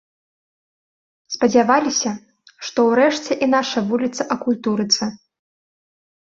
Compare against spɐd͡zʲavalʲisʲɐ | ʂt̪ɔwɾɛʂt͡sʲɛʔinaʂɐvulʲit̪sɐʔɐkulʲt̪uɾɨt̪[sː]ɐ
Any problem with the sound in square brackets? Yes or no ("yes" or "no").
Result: yes